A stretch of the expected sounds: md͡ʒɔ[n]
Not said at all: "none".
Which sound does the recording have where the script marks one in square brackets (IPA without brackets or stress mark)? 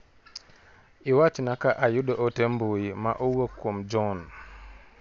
n